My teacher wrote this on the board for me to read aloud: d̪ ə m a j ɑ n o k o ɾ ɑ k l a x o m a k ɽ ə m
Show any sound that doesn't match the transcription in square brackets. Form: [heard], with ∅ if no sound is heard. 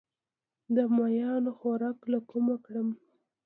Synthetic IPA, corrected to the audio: d̪ ə m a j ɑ n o [x] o ɾ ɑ k l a [k] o m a k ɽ ə m